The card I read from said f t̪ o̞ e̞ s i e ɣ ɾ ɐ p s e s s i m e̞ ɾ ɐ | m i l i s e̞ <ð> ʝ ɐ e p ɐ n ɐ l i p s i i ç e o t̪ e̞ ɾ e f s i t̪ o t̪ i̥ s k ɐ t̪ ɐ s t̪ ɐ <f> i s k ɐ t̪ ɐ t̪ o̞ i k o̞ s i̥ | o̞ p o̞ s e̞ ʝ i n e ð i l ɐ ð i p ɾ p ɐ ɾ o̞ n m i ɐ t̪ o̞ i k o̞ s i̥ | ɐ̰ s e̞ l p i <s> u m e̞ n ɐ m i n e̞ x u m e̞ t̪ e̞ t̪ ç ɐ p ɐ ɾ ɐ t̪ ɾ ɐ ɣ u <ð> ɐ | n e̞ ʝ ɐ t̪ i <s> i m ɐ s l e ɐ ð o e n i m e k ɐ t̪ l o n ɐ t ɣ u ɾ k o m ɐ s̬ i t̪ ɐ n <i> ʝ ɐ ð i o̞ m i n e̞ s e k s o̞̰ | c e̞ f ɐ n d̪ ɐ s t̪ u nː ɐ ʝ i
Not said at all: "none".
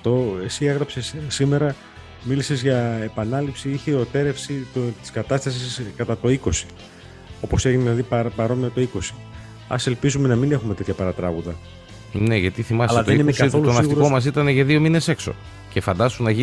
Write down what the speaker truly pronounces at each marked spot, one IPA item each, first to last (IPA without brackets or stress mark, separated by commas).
z, s, z, ð, θ, e